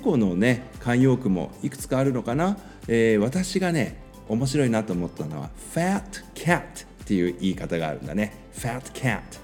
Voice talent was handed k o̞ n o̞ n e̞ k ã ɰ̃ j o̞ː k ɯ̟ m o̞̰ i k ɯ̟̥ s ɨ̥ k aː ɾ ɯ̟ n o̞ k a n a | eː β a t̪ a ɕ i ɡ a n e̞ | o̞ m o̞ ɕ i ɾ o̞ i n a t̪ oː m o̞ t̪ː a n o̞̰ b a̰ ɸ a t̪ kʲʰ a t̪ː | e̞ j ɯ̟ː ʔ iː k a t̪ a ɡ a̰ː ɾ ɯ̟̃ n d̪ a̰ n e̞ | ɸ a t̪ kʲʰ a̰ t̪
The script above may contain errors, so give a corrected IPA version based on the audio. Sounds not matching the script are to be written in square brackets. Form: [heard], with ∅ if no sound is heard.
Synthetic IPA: k o̞ n o̞ n e̞ k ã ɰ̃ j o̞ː k ɯ̟ m o̞̰ i k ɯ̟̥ [t͡s] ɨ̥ k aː ɾ ɯ̟ n o̞ k a n a | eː β a t̪ a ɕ i ɡ a n e̞ | o̞ m o̞ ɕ i ɾ o̞ i n a t̪ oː m o̞ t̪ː a n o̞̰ [β] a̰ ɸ a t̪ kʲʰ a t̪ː | e̞ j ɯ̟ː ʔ iː k a t̪ a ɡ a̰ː ɾ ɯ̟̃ n d̪ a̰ n e̞ | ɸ a t̪ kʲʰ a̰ t̪